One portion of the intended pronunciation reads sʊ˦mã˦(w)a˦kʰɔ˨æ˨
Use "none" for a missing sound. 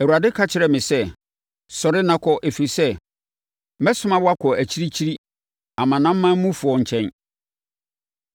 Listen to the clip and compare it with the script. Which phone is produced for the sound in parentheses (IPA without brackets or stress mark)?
w